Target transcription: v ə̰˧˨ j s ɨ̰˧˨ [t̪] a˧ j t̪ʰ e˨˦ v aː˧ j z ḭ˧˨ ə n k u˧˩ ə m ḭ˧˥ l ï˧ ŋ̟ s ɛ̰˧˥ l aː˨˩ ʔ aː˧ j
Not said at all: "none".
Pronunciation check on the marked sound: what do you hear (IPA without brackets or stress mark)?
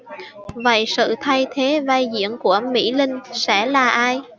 t̪ʰ